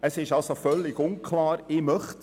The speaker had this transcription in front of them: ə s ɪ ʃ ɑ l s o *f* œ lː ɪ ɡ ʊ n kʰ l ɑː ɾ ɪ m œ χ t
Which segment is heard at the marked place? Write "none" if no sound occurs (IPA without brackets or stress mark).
f